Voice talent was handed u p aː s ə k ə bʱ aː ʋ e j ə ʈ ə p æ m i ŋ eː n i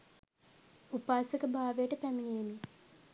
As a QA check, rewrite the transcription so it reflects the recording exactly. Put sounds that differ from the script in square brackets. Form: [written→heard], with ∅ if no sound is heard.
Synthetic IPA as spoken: u p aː s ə k ə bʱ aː ʋ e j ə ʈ ə p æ m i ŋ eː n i